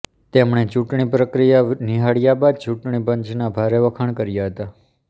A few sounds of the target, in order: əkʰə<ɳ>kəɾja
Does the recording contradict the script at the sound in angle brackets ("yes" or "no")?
no